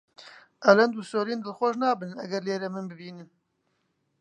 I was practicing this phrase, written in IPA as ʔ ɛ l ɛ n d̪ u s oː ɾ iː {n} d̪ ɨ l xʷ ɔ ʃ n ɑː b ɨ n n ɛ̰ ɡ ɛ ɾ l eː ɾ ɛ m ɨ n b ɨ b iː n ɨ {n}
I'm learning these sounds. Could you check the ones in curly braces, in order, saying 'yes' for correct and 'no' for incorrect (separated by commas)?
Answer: yes, yes